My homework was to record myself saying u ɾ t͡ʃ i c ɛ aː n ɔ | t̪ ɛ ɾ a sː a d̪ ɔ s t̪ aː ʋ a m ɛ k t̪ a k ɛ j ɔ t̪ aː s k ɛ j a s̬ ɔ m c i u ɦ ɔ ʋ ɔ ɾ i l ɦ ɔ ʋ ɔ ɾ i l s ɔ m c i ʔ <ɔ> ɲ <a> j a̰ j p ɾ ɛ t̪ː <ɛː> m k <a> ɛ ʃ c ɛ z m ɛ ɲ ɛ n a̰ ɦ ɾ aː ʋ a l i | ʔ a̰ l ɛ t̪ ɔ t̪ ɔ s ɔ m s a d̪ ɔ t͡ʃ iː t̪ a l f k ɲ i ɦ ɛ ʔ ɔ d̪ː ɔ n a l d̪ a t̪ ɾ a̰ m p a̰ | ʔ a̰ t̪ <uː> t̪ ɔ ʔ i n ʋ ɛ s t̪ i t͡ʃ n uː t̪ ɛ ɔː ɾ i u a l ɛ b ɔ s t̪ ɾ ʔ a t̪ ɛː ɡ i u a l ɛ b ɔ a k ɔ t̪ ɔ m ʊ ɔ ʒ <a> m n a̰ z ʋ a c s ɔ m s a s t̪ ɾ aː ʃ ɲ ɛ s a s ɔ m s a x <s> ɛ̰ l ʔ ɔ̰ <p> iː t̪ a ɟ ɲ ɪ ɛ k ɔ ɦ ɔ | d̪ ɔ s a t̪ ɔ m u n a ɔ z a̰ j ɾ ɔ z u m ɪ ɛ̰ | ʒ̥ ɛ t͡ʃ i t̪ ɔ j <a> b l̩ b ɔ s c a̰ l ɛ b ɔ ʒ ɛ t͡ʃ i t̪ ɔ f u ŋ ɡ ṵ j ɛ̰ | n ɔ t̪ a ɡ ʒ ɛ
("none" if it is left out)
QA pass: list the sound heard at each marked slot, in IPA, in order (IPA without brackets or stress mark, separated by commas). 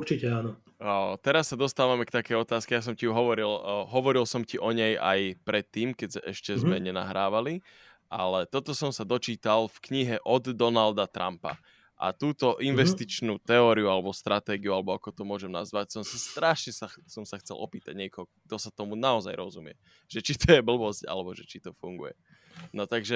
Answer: ɔ, ɛ, iː, ɛ, uː, ɛ, t͡s, p, ɛ